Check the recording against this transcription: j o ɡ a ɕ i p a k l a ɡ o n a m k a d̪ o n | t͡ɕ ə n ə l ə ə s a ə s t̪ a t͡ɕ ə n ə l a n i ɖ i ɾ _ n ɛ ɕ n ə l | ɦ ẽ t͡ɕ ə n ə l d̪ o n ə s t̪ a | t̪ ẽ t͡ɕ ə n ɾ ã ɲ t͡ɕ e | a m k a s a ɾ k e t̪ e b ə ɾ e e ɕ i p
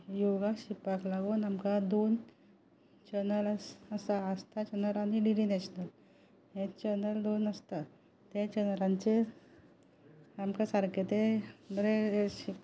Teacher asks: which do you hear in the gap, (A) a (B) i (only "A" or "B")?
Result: B